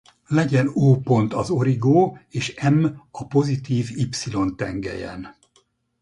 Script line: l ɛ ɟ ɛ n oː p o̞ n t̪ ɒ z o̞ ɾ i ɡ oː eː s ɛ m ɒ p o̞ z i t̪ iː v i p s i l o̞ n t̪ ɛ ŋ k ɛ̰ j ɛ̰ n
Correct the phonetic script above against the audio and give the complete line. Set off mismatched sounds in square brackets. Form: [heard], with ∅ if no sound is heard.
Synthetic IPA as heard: l ɛ ɟ ɛ n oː p o̞ n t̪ ɒ z o̞ ɾ i ɡ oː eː [ʃ] ɛ m ɒ p o̞ z i t̪ iː v i p s i l o̞ n t̪ ɛ ŋ [ɡ] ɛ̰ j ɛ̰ n